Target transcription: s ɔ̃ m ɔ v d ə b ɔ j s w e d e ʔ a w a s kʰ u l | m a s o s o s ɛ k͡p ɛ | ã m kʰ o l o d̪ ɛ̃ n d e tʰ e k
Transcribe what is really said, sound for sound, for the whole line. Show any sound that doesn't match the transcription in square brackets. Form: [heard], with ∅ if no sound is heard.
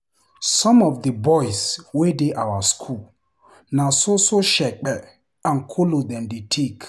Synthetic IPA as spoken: s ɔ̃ m ɔ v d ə b ɔ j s w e d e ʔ a w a s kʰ u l | [n] a s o s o [ʃ] ɛ k͡p ɛ | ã [n] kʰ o l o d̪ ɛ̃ n d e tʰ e k